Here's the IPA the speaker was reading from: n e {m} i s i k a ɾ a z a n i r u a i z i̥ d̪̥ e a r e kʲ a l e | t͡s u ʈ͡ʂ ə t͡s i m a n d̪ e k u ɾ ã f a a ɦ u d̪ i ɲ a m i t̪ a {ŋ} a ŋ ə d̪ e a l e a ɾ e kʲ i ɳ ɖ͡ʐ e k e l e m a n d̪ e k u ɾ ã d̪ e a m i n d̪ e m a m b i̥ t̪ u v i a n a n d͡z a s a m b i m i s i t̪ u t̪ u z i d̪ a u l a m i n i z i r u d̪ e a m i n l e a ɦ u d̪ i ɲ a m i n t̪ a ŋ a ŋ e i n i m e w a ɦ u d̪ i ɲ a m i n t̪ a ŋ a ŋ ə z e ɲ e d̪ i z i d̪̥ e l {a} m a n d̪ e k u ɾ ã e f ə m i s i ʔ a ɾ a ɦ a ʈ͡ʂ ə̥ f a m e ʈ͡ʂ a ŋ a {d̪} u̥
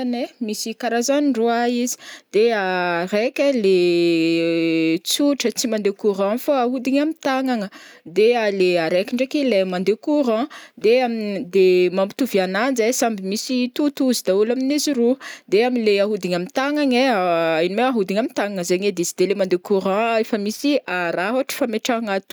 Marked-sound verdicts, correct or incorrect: correct, correct, incorrect: e, incorrect: t̪

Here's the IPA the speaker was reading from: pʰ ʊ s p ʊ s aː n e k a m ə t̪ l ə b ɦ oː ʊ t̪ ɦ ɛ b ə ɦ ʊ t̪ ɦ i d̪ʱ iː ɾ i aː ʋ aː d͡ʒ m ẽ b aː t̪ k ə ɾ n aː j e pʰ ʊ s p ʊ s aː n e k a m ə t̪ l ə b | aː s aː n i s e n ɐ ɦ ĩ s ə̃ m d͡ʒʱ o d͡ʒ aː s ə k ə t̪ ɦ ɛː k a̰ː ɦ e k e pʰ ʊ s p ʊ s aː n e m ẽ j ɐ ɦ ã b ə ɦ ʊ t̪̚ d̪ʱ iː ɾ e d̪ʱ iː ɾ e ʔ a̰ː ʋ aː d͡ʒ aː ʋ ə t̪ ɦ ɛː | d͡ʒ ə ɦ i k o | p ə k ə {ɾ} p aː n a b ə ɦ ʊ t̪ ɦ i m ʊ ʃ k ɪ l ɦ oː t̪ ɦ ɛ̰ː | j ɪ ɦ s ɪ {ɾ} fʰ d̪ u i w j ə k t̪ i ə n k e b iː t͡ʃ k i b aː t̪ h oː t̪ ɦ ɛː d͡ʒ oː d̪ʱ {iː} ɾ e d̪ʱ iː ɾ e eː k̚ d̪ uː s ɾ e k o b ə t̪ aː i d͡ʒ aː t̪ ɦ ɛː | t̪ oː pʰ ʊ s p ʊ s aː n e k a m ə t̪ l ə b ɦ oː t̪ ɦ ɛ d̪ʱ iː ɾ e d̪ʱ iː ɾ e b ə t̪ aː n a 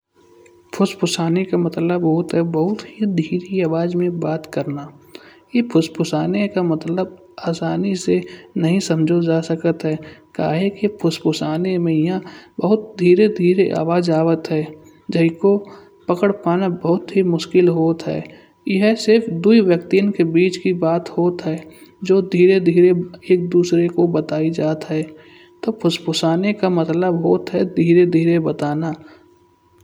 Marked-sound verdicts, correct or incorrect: incorrect: ɽ, correct, correct

